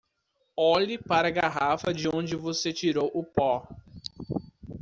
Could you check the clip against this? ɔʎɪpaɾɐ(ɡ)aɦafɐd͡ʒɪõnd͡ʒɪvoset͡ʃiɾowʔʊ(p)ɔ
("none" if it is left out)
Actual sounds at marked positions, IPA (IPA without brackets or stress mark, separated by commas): ɡ, p